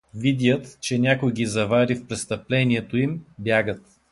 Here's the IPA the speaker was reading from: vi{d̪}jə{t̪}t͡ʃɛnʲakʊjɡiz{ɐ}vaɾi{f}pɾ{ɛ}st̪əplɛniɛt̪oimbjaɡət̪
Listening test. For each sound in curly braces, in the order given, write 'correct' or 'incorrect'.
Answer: correct, correct, correct, correct, correct

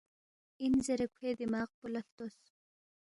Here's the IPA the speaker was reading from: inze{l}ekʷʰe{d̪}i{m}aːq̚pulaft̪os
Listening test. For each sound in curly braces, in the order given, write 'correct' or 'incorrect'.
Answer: incorrect: ɾ, correct, correct

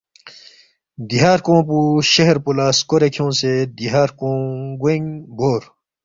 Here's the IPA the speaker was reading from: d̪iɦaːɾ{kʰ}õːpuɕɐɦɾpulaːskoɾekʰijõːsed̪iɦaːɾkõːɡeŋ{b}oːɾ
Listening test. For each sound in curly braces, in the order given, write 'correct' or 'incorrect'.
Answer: incorrect: k, correct

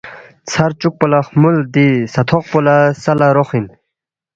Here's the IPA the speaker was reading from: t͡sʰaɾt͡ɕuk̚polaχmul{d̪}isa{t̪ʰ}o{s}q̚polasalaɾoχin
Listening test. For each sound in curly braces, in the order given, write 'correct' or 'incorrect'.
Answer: correct, correct, incorrect: none

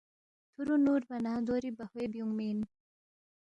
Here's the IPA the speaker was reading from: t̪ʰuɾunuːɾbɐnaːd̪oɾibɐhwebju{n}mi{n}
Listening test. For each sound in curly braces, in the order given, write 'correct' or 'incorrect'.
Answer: incorrect: ŋ, correct

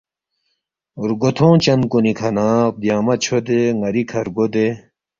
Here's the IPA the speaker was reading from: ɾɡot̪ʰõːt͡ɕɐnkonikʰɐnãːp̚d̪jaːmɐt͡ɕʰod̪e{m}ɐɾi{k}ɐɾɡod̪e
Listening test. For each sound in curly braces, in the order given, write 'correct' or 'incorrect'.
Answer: incorrect: ŋ, incorrect: kʰ

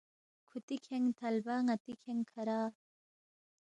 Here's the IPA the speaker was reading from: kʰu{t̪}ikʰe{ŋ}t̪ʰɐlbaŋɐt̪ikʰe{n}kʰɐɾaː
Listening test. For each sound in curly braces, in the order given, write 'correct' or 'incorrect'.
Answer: correct, correct, incorrect: ŋ

